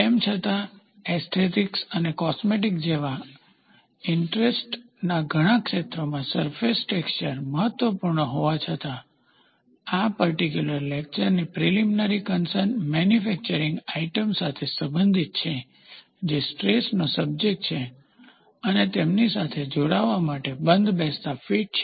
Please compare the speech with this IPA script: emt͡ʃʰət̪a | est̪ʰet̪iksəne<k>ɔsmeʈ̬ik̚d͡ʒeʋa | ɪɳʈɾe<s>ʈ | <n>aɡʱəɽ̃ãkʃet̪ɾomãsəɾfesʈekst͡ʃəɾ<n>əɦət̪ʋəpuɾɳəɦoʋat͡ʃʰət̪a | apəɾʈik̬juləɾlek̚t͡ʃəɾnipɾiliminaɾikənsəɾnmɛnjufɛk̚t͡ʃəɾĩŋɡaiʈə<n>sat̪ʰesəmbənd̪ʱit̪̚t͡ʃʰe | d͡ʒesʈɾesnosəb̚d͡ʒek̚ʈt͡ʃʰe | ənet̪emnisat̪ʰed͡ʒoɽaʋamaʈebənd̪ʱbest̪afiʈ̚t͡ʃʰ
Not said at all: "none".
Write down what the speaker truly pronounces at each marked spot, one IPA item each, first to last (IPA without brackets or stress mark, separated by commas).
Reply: k, s, n, m, m